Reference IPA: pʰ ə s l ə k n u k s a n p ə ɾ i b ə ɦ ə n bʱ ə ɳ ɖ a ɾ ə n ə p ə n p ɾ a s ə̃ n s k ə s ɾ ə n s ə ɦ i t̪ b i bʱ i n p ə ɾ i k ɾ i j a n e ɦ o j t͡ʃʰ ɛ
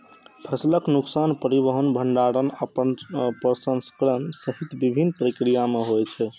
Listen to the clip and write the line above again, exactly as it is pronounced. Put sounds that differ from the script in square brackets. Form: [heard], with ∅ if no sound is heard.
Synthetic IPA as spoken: pʰ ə s l ə k n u k s a n p ə ɾ i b ə ɦ ə n bʱ ə ɳ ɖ a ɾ ə n ə p ə n p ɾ [ə] s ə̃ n s k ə [∅] ɾ ə n s ə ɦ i t̪ b i bʱ i n p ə ɾ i k ɾ i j a [m] e ɦ o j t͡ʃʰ ɛ